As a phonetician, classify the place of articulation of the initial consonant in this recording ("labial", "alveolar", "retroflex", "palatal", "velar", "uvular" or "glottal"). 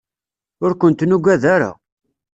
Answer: alveolar